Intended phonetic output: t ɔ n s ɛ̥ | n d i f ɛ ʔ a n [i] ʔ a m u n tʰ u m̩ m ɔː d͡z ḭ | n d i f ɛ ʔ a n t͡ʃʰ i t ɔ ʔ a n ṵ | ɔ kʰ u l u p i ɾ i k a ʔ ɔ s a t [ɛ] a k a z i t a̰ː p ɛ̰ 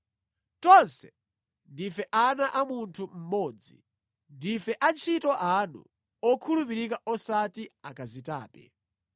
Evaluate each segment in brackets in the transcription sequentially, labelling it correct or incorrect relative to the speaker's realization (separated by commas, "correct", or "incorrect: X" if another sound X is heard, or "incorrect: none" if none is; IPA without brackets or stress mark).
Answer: incorrect: a, incorrect: i